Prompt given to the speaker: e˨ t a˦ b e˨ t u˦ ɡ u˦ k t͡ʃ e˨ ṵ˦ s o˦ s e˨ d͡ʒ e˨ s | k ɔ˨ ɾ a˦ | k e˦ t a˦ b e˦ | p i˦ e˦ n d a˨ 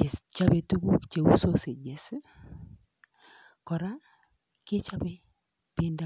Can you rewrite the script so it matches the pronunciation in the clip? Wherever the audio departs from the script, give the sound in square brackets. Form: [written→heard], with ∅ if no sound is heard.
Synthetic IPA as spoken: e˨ [t→t͡ʃ] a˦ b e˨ t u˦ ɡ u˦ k t͡ʃ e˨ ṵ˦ s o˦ s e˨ d͡ʒ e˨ s | k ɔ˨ ɾ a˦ | k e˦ [t→t͡ʃ] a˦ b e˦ | p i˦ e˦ n d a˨